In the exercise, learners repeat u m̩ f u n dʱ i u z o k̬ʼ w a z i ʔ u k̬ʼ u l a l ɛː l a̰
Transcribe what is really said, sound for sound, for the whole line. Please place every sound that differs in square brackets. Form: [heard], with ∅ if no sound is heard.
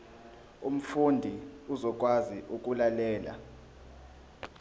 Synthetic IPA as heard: u m̩ f u n dʱ i u z [ɔ] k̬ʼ w a z i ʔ u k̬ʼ u l a l ɛː l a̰